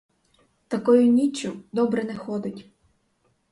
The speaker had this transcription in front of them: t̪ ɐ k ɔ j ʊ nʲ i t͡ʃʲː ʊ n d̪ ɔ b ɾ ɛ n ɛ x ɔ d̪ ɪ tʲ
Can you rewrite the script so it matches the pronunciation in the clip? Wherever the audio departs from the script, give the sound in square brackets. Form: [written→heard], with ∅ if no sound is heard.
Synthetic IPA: t̪ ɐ k ɔ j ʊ nʲ i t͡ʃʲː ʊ [n→∅] d̪ ɔ b ɾ ɛ n ɛ x ɔ d̪ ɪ tʲ